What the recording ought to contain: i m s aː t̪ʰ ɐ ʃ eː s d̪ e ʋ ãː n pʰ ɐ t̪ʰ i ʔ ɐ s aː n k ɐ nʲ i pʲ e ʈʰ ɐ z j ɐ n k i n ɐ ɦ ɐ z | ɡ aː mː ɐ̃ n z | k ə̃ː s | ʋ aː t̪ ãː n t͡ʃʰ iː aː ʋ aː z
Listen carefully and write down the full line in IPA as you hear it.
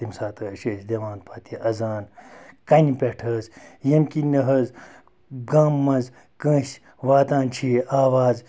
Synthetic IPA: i m s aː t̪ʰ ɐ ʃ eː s d̪ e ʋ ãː n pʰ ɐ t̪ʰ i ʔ ɐ z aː n k ɐ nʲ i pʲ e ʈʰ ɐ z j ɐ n k i n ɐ ɦ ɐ z | ɡ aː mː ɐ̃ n z | k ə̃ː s | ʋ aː t̪ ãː n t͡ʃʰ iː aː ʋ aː z

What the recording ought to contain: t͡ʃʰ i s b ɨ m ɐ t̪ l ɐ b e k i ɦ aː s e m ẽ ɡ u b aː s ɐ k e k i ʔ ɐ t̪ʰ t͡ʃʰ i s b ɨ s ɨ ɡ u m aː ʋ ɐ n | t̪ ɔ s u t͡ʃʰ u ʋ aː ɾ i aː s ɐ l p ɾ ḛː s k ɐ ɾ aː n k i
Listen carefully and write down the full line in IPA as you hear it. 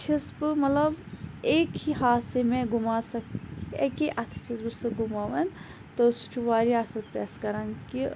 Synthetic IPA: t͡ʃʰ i s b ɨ m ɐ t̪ l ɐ b e k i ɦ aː s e m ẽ ɡ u m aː s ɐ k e k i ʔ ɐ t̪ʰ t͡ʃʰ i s b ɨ s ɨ ɡ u m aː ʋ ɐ n | t̪ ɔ s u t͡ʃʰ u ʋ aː ɾ i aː s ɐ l p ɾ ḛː s k ɐ ɾ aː n k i

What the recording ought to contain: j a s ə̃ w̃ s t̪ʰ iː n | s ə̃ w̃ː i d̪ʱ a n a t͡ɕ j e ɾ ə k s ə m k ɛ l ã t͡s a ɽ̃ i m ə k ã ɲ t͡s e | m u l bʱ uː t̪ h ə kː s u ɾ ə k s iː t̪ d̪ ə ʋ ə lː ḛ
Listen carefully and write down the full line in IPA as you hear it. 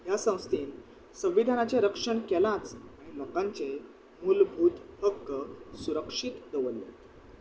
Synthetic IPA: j a s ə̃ w̃ s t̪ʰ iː n | s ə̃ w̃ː i d̪ʱ a n a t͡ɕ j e ɾ ə k ʂ ə ɳ k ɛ l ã t͡s a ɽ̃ i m ə k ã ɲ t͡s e | m u l bʱ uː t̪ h ə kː s u ɾ ə k ʂ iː t̪ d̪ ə ʋ ə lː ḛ

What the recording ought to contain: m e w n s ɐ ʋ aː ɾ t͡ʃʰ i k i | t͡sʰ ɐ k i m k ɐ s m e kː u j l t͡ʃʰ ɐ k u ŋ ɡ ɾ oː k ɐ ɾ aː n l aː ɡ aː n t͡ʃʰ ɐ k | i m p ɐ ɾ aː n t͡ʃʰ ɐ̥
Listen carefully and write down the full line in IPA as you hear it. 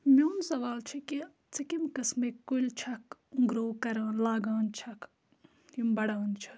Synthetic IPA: m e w n s ɐ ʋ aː l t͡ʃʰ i k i | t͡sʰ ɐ k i m k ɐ s m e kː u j l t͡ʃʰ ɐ k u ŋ ɡ ɾ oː k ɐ ɾ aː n l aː ɡ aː n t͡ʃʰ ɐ k | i m b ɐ ɽ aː n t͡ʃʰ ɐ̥

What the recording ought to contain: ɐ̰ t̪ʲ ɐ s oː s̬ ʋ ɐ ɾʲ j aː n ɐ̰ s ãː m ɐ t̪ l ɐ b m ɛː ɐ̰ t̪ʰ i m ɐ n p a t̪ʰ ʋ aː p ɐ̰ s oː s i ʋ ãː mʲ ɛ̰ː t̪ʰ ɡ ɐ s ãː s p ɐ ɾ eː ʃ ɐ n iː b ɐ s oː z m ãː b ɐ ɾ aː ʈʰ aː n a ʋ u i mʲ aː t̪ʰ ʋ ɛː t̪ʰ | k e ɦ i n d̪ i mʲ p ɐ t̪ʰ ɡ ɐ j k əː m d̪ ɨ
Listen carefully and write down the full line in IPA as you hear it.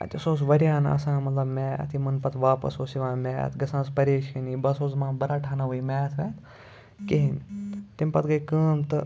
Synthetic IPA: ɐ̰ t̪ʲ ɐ s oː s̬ ʋ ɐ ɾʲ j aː n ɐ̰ s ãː m ɐ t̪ l ɐ b m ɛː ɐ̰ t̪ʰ i m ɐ n p ɐ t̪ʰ ʋ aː p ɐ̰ s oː s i ʋ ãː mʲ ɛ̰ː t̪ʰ ɡ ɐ s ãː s p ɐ ɾ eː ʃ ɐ n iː b ɐ s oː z m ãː b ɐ ɾ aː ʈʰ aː n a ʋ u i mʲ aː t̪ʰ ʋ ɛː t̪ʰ | k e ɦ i n t̪ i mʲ p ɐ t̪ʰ ɡ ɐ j k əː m t̪ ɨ

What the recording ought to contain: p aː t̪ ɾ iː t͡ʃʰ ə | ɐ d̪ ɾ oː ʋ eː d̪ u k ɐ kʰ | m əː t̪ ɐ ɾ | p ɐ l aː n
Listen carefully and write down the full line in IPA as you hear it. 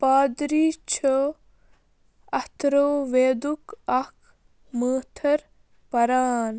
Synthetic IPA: p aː d̪ ɾ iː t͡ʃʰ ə | ɐ t̪ ɾ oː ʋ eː d̪ u k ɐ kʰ | m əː t̪ʰ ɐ ɾ | p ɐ ɾ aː n

